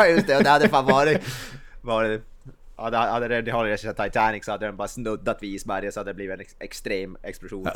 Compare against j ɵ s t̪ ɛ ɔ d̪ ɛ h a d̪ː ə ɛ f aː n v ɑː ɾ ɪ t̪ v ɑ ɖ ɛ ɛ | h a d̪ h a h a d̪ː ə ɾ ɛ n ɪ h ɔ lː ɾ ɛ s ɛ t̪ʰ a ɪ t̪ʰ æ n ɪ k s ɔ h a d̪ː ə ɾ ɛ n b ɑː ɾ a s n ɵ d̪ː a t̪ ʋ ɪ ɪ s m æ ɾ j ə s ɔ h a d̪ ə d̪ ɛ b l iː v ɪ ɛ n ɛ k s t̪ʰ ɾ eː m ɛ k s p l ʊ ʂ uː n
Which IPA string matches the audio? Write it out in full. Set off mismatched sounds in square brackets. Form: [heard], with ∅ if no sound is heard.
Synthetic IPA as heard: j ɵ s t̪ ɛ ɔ d̪ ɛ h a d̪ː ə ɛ f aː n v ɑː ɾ ɪ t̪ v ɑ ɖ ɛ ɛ | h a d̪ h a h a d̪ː ə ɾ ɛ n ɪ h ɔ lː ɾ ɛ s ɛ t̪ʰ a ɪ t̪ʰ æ n ɪ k s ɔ h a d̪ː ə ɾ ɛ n b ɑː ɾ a s n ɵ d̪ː a t̪ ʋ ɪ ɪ s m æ ɾ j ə s ɔ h a d̪ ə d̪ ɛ b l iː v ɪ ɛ n ɛ k s [t̪] ɾ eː m ɛ k s p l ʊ ʂ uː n